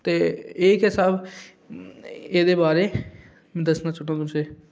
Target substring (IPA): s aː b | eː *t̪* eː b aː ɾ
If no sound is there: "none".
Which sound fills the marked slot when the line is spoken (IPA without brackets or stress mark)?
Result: d̪